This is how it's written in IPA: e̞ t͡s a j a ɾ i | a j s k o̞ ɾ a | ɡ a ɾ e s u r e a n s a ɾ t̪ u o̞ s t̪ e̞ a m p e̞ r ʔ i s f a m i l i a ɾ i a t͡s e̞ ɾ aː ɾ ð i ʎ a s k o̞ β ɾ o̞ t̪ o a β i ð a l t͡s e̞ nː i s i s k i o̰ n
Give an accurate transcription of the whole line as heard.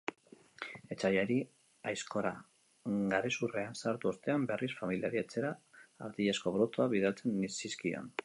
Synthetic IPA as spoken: e̞ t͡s a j a ɾ i | a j s k o̞ ɾ a | ɡ a ɾ e s u r e a n s a ɾ t̪ u o̞ s t̪ e̞ a m b e̞ r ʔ i s f a m i l i a ɾ i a t͡s e̞ ɾ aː ɾ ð i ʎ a s k o̞ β ɾ o̞ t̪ o a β i ð a l t͡s e̞ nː i s i s k i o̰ n